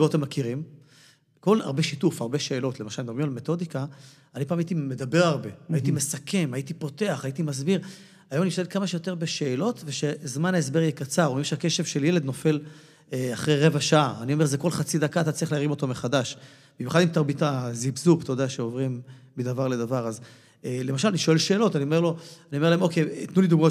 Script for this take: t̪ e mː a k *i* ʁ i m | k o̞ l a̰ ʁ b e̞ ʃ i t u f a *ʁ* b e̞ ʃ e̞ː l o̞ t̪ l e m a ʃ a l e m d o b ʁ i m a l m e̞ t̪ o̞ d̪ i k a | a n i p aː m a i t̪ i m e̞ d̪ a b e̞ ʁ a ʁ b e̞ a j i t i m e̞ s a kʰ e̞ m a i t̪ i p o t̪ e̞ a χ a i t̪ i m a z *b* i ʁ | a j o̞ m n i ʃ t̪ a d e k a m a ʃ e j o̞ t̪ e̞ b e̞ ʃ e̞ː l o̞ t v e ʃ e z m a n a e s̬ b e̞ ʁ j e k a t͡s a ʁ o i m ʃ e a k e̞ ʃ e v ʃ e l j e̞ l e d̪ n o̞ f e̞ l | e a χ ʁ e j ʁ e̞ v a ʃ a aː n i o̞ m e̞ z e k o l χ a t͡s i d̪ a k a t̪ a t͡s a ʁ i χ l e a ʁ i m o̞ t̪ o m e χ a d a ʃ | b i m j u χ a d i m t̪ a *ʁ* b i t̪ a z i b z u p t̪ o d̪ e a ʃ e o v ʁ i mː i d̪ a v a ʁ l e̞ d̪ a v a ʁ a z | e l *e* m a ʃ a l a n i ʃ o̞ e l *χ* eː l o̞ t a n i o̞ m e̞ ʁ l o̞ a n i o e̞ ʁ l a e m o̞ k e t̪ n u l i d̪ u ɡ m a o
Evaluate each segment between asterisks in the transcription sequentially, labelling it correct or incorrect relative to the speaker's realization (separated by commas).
correct, correct, correct, correct, correct, incorrect